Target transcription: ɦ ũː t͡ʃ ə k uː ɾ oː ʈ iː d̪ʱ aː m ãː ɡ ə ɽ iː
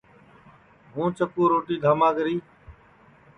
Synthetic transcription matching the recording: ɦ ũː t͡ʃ ə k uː ɾ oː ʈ iː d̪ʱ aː m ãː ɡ ə ɾ iː